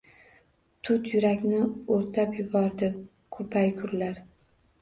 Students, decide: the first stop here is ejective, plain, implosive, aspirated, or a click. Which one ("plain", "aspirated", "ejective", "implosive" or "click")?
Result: aspirated